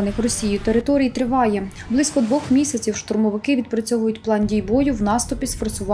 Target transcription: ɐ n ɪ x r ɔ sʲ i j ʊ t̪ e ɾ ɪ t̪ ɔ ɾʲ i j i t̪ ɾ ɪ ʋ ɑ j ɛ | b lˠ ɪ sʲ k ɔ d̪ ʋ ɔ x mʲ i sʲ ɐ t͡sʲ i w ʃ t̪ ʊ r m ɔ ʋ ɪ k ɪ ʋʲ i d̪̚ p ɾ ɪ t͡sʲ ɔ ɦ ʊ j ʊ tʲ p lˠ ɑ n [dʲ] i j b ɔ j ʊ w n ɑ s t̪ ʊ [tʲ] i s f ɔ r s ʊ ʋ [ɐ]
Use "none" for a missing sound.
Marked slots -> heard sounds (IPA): dʲ, pʲ, ɑ

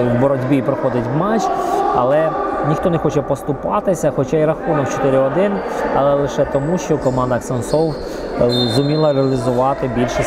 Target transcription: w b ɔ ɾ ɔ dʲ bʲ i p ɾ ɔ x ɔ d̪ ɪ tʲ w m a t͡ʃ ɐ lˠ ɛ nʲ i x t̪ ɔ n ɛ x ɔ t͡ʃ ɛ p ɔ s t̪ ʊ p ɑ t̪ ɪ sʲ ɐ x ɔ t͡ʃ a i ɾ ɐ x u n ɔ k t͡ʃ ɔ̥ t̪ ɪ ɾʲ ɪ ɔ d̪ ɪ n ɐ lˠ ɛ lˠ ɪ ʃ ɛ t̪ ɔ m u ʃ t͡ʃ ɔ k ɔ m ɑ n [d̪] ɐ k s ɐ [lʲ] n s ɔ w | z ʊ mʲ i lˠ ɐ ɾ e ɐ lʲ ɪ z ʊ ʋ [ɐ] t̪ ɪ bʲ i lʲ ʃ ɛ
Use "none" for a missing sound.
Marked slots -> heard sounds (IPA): d̪, none, ɑ

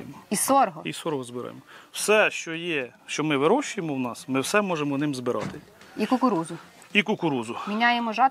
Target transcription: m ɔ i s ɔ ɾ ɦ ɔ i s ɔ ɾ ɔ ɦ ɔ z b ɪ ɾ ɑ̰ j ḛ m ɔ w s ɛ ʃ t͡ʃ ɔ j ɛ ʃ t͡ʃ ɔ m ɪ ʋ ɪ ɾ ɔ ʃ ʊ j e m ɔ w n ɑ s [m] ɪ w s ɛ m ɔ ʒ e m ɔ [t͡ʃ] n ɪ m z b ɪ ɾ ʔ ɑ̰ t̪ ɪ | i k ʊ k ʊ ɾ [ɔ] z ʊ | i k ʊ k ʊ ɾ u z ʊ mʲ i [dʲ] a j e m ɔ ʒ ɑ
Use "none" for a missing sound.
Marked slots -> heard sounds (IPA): m, none, u, nʲ

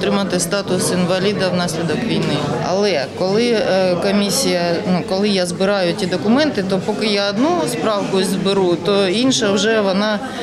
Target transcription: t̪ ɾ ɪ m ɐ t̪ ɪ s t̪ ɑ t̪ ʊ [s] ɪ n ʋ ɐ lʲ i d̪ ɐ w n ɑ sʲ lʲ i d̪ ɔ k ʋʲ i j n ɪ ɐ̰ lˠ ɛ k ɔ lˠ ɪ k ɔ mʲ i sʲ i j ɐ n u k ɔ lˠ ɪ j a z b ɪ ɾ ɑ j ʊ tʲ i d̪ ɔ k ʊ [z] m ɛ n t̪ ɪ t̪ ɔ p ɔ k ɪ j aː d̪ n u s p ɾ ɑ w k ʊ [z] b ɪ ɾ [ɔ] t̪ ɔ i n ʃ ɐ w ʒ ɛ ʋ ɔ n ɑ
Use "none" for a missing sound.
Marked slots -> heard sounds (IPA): s, none, z, u

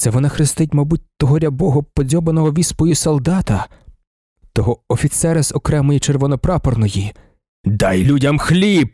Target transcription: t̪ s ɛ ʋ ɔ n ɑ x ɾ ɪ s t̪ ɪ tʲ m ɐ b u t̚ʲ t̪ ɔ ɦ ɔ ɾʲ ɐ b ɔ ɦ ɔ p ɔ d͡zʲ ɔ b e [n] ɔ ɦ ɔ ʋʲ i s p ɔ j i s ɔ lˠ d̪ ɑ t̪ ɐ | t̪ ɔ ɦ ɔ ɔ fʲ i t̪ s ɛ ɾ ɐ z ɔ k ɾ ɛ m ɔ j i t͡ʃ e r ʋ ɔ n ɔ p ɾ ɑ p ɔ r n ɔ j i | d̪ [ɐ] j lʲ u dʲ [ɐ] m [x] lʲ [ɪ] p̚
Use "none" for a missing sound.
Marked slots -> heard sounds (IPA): n, ɑ, ɐ, x, i

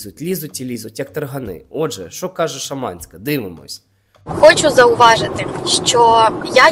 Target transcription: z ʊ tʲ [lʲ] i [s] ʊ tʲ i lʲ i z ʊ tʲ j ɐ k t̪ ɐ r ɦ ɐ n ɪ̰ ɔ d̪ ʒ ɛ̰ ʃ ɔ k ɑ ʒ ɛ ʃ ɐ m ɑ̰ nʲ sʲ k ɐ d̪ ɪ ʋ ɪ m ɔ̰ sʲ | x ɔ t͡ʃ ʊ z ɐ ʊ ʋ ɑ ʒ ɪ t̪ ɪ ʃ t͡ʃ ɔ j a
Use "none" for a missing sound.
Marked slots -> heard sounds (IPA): lʲ, z

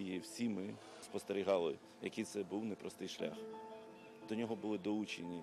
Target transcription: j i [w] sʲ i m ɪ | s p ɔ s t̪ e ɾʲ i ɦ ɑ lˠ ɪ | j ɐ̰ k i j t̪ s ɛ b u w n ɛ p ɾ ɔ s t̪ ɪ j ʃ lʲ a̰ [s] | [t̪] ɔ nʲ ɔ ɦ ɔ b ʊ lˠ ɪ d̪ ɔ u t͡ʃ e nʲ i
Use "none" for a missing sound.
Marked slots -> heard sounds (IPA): w, x, d̪

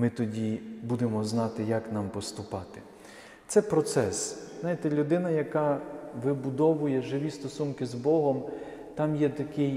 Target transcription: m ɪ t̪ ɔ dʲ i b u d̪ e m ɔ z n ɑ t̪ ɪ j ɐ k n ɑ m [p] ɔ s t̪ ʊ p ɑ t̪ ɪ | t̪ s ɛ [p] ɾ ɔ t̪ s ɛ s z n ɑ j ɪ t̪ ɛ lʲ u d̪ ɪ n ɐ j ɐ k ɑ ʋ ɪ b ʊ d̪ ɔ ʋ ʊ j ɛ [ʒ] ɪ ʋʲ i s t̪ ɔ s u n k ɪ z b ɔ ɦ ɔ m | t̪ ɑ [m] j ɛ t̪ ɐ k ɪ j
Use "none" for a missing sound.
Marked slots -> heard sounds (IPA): p, p, ʒ, m

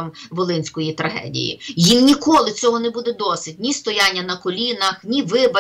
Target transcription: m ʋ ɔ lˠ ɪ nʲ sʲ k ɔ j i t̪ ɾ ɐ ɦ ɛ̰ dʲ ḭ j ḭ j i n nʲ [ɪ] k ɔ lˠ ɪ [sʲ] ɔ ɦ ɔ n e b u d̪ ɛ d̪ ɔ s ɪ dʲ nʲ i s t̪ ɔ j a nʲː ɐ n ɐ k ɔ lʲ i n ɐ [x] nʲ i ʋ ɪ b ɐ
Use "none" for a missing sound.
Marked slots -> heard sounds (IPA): i, t͡sʲ, x

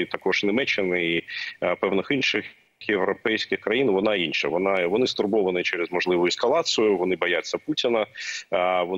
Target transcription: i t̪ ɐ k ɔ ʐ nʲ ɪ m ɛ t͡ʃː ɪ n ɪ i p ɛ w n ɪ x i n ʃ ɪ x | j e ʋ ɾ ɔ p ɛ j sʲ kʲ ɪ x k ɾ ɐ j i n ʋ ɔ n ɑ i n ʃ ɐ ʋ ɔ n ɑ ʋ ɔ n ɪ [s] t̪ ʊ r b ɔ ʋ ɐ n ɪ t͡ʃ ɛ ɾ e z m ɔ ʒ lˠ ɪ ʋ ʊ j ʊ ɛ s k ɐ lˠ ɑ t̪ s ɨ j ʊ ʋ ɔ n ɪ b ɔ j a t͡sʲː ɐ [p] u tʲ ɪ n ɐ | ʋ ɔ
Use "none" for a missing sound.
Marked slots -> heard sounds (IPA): s, p

